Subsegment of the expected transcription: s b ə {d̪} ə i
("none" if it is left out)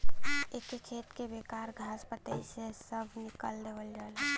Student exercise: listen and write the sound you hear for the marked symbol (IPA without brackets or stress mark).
t̪